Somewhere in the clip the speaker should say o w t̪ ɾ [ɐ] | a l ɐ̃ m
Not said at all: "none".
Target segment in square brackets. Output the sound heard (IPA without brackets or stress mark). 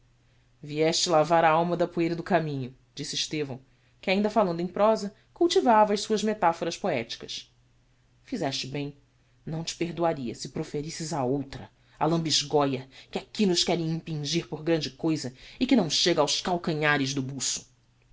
ɐ